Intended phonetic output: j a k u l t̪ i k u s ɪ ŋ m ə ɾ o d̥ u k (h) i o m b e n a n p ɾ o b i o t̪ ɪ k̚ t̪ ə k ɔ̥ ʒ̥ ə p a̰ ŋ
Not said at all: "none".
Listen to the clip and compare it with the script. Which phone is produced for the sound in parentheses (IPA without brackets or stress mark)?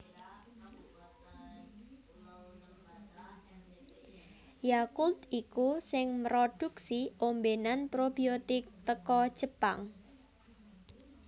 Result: s